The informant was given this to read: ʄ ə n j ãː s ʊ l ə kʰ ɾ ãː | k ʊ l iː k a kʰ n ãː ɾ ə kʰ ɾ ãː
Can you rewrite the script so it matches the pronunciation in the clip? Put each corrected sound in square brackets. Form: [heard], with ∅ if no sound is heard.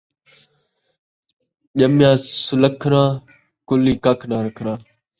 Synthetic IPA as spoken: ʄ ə [m] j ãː s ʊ l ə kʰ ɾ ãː | k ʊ l iː k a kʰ n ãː ɾ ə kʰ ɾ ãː